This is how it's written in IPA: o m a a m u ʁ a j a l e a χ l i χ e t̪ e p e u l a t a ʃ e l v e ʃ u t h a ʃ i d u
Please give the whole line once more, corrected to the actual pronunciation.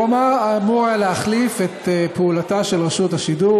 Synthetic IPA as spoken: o m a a m u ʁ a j a l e a χ l i f e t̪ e p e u l a t a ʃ e l ʁ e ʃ u t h a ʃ i d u